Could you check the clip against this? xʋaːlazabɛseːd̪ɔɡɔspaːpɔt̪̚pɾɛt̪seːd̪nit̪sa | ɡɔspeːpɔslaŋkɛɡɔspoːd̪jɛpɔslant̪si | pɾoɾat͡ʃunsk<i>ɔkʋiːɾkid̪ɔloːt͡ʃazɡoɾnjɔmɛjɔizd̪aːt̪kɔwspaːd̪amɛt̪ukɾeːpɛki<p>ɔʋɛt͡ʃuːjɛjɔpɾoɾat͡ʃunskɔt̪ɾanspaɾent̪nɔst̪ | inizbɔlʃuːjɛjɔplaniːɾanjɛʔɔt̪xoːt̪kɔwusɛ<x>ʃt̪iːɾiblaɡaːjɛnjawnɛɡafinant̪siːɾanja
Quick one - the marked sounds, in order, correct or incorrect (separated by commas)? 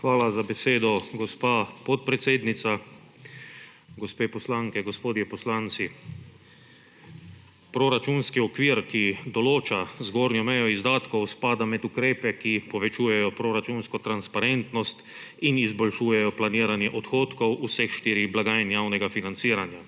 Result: correct, correct, correct